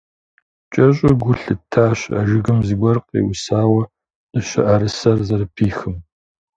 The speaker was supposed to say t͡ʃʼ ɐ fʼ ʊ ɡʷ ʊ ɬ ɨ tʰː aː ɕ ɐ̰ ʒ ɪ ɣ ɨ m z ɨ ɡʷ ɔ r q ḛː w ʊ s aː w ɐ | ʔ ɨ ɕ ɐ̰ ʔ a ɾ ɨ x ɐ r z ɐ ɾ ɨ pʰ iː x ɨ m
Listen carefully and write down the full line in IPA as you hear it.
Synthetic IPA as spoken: t͡ʃʼ ɐ ɕʼ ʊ ɡʷ ʊ ɬ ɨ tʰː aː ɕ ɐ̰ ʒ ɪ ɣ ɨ m z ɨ ɡʷ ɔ r q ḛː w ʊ s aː w ɐ | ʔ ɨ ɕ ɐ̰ ʔ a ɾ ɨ s ɐ r z ɐ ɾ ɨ pʰ iː x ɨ m